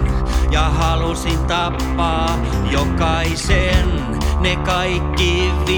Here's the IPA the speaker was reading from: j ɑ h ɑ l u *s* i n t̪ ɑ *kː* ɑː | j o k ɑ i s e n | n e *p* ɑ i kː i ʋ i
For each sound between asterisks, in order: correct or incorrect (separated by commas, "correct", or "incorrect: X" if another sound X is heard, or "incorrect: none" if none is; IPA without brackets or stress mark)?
correct, incorrect: pː, incorrect: k